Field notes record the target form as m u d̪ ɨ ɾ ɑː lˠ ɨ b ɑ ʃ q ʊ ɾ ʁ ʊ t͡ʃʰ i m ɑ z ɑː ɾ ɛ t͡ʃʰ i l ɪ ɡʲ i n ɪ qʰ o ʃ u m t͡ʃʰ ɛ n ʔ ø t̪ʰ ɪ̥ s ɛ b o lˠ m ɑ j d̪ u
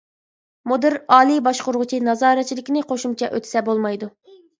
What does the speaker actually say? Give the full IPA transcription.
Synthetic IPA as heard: m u d̪ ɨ ɾ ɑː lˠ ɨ b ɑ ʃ q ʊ ɾ ʁ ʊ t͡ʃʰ i n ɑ z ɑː ɾ ɛ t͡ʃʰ i l ɪ kʲ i n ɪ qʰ o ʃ u m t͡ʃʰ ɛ ʔ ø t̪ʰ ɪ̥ s ɛ b o lˠ m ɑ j d̪ u